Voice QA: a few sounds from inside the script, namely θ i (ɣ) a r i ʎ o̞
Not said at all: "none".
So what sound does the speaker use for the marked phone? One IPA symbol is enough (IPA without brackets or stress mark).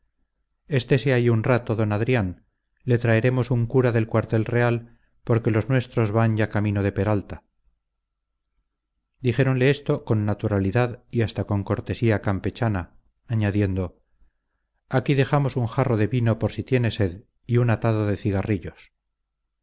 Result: ɣ